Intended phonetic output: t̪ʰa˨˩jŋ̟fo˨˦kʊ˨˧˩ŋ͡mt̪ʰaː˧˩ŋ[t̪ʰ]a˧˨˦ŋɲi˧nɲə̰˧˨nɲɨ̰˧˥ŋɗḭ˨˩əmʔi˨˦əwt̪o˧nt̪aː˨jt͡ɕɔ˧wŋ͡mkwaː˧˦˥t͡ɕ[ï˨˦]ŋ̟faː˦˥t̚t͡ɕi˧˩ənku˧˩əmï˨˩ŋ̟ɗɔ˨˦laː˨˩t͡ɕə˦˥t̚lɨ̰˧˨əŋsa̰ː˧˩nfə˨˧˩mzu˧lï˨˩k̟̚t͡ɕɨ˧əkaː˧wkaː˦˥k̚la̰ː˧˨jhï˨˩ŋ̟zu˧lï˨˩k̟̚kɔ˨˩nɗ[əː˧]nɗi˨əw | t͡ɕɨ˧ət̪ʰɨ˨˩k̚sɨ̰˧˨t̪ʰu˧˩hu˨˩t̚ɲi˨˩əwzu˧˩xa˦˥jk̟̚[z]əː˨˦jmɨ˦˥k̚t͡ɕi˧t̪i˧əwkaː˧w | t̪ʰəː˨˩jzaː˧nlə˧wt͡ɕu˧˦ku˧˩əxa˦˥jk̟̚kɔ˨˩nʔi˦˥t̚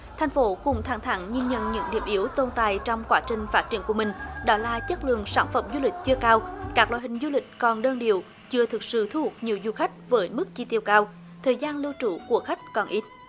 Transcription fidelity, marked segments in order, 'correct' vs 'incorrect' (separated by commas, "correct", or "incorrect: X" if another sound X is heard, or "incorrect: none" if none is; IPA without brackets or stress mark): correct, incorrect: ï˨˩, correct, incorrect: v